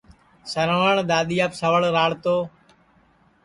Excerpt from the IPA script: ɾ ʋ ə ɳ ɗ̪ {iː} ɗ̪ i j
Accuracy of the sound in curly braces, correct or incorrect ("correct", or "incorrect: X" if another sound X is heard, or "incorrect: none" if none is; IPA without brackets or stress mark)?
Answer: incorrect: aː